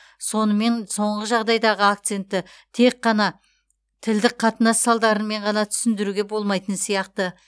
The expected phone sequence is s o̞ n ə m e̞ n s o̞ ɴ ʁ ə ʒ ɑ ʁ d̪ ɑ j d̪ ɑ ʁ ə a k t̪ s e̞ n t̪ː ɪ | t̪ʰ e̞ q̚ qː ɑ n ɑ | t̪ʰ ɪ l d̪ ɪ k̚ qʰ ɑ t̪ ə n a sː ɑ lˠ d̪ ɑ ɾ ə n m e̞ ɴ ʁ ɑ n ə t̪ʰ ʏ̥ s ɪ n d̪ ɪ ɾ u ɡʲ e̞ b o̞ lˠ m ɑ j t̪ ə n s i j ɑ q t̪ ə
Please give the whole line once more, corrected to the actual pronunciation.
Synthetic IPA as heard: s o̞ n ə m e̞ n s o̞ ɴ ʁ ə ʒ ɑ ʁ d̪ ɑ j d̪ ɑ ʁ ə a k t̪ s e̞ n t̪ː ɪ | t̪ʰ e̞ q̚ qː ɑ n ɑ | t̪ʰ ɪ l d̪ ɪ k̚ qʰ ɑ t̪ ə n ɑ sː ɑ lˠ d̪ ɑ ɾ ə n m e̞ ɴ ʁ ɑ n ɑ t̪ʰ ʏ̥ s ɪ n d̪ ɪ ɾ u ɡʲ e̞ b o̞ lˠ m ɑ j t̪ ə n s i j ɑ q t̪ ə